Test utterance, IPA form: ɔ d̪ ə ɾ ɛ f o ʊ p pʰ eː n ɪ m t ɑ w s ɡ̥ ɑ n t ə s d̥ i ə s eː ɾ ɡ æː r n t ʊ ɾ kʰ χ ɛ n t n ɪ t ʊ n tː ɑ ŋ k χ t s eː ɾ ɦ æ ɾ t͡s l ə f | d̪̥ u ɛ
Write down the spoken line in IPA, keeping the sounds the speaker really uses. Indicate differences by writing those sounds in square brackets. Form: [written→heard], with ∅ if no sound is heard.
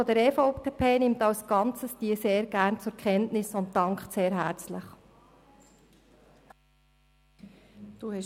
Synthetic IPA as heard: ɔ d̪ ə ɾ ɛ f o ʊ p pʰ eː n ɪ m t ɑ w s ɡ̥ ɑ n [t→t͡s] ə s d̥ i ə s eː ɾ ɡ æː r n [t→t͡s] ʊ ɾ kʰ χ ɛ n t n ɪ [t→s] ʊ n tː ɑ ŋ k χ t s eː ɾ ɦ æ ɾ t͡s l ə [f→χ] | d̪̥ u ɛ